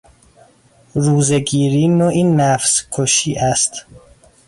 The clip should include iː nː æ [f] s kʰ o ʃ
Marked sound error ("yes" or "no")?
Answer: no